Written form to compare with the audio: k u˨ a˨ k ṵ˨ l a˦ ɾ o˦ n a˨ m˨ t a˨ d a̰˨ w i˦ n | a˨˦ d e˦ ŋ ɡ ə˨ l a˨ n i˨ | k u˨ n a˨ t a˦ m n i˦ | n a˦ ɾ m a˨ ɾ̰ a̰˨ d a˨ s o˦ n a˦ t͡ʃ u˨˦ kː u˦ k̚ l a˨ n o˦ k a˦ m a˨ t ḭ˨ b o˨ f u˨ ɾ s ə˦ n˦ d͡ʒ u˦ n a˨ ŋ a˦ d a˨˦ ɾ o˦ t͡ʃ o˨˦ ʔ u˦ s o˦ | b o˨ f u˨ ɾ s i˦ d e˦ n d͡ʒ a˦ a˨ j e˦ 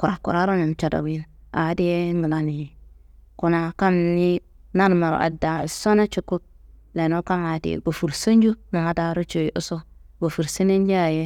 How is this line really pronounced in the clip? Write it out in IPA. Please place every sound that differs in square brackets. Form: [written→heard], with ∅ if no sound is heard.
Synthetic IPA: k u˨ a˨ k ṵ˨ [l→ɾ] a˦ ɾ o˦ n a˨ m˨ [t→t͡ʃ] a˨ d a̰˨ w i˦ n | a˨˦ d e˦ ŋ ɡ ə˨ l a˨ n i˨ | k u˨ n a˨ [t→k] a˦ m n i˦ | n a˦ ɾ m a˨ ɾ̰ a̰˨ d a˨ s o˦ n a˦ t͡ʃ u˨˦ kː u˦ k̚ l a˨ n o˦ k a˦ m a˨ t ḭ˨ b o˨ f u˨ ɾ s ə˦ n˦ d͡ʒ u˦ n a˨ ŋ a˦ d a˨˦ ɾ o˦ t͡ʃ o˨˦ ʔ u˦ s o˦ | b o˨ f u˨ ɾ s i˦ [d→n] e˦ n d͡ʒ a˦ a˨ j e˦